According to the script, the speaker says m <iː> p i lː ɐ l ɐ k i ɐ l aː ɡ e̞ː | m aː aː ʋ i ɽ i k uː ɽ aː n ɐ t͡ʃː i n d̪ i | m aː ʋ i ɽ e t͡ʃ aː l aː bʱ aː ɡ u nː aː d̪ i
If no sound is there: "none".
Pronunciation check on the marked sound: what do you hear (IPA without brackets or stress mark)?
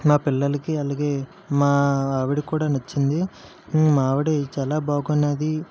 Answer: aː